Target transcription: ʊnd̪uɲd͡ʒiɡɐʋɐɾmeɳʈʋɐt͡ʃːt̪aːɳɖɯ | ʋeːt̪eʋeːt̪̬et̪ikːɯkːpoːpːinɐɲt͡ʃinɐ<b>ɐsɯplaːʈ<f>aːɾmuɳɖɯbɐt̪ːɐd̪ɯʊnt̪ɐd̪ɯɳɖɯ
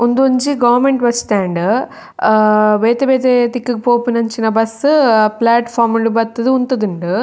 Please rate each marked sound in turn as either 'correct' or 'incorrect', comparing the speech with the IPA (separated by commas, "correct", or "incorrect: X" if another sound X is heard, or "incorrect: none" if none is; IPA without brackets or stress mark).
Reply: correct, correct